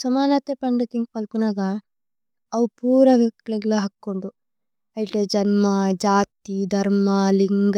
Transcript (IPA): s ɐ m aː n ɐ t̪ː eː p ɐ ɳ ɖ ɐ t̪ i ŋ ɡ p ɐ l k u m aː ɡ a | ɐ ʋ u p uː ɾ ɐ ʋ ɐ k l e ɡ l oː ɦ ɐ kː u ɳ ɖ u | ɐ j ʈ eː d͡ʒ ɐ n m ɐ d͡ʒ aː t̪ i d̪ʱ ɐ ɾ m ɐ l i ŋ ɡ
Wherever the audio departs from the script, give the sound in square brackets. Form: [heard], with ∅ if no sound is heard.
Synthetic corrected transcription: s ɐ m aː n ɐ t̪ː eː p ɐ ɳ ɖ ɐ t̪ i ŋ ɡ p ɐ l k u [n] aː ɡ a | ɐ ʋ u p uː ɾ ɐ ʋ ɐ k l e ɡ l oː ɦ ɐ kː u ɳ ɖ u | ɐ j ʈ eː d͡ʒ ɐ n m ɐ d͡ʒ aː t̪ i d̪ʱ ɐ ɾ m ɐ l i ŋ ɡ